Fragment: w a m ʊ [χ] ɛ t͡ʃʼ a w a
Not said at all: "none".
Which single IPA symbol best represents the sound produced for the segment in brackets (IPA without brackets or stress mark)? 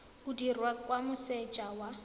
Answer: s